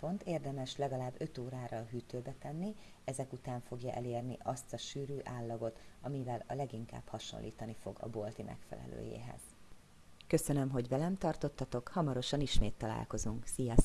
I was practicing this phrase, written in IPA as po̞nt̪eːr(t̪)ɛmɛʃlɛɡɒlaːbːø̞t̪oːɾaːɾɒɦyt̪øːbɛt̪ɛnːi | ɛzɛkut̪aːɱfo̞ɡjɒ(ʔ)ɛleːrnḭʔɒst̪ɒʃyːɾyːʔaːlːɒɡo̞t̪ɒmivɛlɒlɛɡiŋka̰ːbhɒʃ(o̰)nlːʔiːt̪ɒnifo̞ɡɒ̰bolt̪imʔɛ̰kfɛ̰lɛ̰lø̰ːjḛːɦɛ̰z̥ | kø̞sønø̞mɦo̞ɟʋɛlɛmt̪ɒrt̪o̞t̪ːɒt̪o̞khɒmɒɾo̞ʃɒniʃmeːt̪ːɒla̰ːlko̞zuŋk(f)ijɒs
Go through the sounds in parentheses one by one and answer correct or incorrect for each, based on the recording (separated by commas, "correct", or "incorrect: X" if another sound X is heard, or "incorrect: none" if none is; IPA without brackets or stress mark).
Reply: incorrect: d̪, correct, correct, incorrect: s